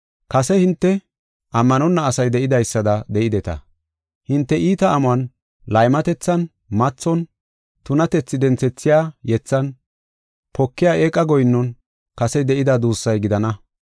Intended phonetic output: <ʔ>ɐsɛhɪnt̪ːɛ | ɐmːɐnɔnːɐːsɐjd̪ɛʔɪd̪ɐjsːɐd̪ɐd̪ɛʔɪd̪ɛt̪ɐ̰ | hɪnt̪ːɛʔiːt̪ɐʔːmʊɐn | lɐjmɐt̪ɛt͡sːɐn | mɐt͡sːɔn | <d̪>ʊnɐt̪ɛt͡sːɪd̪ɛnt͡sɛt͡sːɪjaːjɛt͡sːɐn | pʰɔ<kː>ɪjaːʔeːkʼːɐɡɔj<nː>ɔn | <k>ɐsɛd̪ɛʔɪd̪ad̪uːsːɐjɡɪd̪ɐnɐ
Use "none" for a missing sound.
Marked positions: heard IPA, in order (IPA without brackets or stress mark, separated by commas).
k, t̪, kː, nː, k